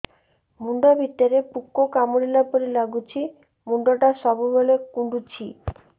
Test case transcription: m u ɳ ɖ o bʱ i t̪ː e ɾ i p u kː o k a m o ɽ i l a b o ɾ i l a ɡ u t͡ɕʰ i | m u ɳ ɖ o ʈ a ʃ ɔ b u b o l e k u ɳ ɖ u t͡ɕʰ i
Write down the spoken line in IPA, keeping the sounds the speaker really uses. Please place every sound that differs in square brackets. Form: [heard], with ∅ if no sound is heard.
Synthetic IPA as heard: m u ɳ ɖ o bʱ i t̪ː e ɾ [e] p u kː o k a m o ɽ i l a [p] o ɾ i l a ɡ u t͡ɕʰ i | m u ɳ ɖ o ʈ a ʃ ɔ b u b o l e k u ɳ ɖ u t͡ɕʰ i